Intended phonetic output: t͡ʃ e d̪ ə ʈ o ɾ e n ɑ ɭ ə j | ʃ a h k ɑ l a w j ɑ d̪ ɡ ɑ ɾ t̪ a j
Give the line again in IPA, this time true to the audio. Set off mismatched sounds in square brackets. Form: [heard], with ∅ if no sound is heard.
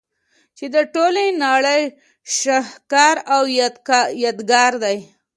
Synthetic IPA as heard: t͡ʃ e d̪ ə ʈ o [l] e n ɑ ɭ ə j | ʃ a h k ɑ [ɾ] a w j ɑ d̪ ɡ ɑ ɾ [d̪] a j

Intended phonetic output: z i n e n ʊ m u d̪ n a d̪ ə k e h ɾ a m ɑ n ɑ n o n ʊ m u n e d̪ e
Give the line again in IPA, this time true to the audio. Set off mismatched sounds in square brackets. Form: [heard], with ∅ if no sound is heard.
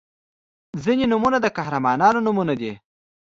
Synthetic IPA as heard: z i n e n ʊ m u [∅] n a d̪ ə k [a] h ɾ a m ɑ n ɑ n o n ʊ m u n [a] d̪ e

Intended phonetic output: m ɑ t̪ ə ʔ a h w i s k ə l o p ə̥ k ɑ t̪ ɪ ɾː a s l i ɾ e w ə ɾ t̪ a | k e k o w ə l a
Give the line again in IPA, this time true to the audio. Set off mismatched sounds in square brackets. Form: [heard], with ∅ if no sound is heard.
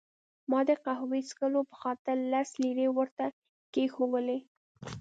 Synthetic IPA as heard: m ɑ [d̪] ə [q] a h w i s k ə l o p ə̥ [x] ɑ t̪ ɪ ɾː a s l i ɾ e w ə ɾ t̪ a | k e [x] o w ə l [e]

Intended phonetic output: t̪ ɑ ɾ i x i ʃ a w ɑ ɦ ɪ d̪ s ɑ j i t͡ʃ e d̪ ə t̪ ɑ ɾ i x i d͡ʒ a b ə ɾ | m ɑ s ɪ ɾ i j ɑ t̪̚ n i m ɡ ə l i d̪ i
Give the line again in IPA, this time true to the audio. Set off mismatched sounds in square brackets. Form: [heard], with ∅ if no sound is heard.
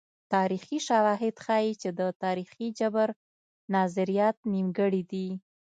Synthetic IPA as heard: t̪ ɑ ɾ i x i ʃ a w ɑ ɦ ɪ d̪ [x] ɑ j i t͡ʃ e d̪ ə t̪ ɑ ɾ i x i d͡ʒ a b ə ɾ | [n] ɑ [z] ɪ ɾ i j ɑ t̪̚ n i m ɡ ə [ɽ] i d̪ i

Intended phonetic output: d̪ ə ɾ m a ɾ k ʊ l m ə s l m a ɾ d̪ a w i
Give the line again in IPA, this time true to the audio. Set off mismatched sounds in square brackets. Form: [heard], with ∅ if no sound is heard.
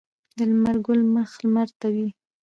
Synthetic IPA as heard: d̪ ə [l] m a ɾ [ɡ] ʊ l m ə [x] l m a ɾ [t̪] a w i

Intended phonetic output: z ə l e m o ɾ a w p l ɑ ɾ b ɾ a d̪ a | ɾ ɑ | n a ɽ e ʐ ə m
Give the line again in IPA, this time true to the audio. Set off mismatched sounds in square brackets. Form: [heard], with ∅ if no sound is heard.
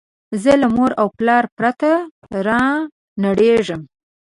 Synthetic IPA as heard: z ə l [a] m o ɾ a w p l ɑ ɾ [p] ɾ a [t̪] a | ɾ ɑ | n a ɽ e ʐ ə m

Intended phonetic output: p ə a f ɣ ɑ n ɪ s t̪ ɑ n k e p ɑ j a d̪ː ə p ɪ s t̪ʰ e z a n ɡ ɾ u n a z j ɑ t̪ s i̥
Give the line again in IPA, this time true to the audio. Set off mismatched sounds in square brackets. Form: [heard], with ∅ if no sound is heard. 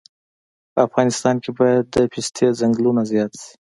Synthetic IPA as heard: p ə a f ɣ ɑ n ɪ s t̪ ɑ n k e [b] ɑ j a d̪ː ə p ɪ s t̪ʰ e z a [ŋ] ɡ [l] u n a z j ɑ t̪ s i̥

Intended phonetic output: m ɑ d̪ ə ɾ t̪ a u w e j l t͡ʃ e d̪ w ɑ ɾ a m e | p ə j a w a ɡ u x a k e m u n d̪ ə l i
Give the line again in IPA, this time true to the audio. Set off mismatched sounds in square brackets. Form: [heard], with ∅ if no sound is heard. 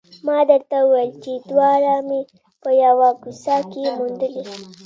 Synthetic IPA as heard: m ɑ d̪ ə ɾ t̪ a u w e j l t͡ʃ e d̪ w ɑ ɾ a m e | p ə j a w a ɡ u [s] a k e m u n d̪ ə l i

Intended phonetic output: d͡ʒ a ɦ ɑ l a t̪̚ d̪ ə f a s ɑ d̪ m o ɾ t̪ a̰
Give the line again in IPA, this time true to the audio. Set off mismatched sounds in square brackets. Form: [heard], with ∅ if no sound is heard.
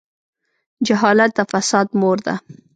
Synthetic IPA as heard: d͡ʒ a ɦ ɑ l a t̪̚ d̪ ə f a s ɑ d̪ m o ɾ [d̪] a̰

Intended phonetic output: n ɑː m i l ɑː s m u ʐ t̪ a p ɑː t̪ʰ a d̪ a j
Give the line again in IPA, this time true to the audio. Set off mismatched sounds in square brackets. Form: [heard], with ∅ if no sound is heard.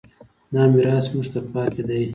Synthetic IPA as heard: n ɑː m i [ɾ] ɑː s m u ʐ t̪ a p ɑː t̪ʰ [e] d̪ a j

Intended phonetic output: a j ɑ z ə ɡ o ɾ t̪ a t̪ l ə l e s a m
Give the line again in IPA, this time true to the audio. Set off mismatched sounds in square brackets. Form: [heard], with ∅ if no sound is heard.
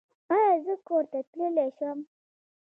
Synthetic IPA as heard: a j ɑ z ə [k] o ɾ t̪ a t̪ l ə l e [ʃ] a m

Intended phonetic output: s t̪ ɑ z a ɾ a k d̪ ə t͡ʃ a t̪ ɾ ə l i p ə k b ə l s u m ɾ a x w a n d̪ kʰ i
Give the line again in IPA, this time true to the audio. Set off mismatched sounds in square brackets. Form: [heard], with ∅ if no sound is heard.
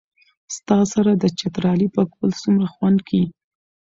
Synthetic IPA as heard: s t̪ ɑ [s] a ɾ a [∅] d̪ ə t͡ʃ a t̪ ɾ [ɑ] l i p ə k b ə l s u m ɾ a x w a n d̪ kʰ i

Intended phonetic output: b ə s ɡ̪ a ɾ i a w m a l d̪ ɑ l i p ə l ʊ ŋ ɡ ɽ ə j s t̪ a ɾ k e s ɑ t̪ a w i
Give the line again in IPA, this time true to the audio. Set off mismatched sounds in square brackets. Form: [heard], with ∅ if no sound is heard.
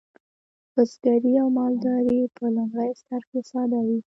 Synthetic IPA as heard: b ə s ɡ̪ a ɾ i a w m [ɑ] l d̪ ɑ [ɾ] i p ə l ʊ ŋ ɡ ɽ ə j s t̪ a ɾ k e s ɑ [d̪] a w i

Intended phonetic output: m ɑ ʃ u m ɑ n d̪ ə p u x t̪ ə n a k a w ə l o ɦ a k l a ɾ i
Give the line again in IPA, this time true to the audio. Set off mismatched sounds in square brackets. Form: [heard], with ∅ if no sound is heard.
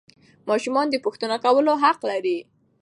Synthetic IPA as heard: m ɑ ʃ u m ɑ n d̪ ə p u x t̪ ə n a k a w ə l o ɦ a [q] l a ɾ i

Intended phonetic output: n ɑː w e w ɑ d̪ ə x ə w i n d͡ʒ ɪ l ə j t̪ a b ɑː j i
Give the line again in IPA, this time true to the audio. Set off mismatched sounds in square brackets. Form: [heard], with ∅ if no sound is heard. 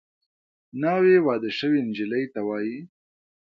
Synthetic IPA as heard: n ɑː w e w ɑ d̪ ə [ʃ] ə w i n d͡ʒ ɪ l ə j t̪ a [w] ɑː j i

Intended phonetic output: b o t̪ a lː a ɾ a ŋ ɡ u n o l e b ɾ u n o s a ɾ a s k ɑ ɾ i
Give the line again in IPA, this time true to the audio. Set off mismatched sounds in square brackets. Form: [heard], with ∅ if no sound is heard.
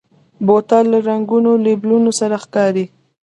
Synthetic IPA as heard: b o t̪ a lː a ɾ a ŋ ɡ u n o l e b [l] u n o s a ɾ a [x] k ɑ ɾ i

